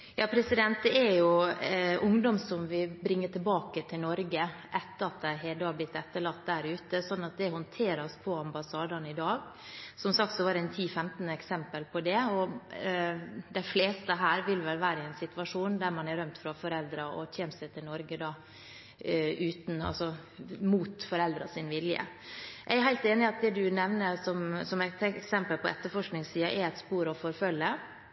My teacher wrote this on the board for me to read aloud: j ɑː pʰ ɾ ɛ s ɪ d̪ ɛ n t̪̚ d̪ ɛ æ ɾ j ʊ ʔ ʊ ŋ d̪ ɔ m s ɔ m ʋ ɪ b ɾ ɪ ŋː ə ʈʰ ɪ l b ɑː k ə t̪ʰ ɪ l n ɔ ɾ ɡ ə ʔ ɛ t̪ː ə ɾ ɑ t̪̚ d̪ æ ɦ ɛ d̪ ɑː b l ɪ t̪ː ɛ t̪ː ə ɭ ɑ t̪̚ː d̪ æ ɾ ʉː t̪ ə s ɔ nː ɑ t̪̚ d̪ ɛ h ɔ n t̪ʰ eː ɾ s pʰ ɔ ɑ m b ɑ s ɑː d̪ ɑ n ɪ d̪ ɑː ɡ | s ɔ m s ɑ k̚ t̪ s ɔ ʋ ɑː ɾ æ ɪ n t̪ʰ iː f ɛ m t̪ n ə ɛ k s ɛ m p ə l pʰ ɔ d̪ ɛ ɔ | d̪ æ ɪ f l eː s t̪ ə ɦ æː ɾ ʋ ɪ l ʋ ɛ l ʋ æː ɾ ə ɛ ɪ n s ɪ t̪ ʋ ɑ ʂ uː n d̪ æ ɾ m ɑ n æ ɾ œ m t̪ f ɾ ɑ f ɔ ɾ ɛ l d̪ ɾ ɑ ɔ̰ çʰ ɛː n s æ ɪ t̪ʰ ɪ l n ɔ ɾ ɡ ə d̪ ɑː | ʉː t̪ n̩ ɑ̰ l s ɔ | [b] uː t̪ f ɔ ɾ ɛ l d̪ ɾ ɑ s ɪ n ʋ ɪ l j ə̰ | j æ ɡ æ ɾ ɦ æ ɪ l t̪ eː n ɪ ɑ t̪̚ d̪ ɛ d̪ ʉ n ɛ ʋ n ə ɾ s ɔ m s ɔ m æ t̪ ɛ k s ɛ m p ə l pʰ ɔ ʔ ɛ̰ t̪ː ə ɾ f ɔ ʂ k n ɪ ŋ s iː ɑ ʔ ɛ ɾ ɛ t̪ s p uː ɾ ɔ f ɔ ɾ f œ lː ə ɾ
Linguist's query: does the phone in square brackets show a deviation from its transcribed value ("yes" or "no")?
yes